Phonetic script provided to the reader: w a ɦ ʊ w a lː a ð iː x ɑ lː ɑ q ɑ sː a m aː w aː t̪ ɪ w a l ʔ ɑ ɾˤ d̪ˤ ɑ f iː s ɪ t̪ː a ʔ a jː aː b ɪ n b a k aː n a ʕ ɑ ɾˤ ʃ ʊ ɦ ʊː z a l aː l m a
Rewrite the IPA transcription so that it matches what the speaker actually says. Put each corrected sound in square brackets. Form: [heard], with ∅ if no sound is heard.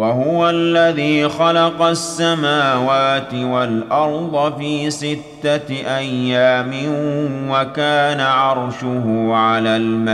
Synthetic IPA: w a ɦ ʊ w a lː a ð iː x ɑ [l] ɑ q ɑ sː a m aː w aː t̪ ɪ w a l ʔ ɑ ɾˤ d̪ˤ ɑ f iː s ɪ t̪ː a ʔ a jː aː [m] ɪ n [w] a k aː n a ʕ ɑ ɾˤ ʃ ʊ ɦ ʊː [ʕ] a l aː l m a